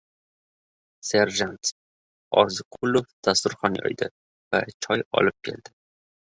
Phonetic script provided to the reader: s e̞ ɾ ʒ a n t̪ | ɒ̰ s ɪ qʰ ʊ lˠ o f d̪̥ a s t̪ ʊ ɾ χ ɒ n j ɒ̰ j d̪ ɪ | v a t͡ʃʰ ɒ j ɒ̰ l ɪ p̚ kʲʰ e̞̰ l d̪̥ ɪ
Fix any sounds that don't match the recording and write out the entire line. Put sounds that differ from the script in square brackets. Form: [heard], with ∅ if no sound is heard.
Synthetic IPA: s e̞ ɾ ʒ a n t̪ | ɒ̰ [z] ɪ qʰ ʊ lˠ o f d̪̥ a s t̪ ʊ ɾ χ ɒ n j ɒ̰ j d̪ ɪ | v a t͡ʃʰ ɒ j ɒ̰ l ɪ p̚ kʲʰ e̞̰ l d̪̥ ɪ